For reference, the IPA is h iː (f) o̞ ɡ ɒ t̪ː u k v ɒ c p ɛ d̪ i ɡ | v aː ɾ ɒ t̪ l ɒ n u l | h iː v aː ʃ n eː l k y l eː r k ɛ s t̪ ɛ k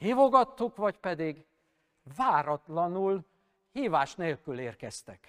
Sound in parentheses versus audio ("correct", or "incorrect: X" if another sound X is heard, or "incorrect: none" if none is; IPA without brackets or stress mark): incorrect: v